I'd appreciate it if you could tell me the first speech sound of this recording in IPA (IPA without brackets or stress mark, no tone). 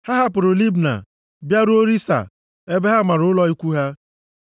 h